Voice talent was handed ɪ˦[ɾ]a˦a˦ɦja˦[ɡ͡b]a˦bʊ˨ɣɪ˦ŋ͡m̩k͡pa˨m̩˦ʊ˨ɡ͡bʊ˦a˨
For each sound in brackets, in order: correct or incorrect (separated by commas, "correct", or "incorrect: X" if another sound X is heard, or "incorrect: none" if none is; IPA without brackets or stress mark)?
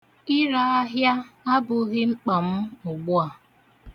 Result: correct, incorrect: none